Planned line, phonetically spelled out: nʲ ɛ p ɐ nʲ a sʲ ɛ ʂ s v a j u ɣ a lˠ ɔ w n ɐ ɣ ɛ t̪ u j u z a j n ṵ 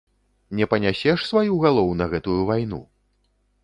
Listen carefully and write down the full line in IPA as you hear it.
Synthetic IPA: nʲ ɛ p ɐ nʲ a sʲ ɛ ʂ s v a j u ɣ a lˠ ɔ w n ɐ ɣ ɛ t̪ u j u v a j n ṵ